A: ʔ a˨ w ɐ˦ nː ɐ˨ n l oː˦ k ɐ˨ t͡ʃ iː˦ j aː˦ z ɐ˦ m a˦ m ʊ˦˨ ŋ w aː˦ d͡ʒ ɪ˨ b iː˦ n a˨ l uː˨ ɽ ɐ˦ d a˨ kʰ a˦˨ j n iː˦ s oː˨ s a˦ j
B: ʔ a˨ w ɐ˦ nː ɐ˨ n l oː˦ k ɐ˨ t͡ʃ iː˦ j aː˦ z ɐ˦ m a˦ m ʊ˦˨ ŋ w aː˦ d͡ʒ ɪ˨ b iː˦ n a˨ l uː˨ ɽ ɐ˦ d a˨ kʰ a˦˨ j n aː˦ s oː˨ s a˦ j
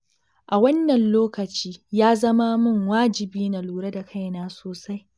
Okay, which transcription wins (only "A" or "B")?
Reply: B